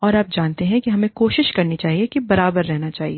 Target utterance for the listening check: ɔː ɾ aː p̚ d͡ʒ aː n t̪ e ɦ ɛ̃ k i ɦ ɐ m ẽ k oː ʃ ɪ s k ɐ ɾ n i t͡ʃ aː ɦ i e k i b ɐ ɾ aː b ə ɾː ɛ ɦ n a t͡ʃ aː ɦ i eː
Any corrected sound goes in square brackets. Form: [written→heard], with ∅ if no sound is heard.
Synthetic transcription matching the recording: ɔː ɾ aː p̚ d͡ʒ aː n t̪ e ɦ ɛ̃ k i ɦ ɐ m ẽ k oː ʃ ɪ [s→ʃ] k ɐ ɾ n i t͡ʃ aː ɦ i e k i b ɐ ɾ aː b ə ɾː ɛ ɦ n a t͡ʃ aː ɦ i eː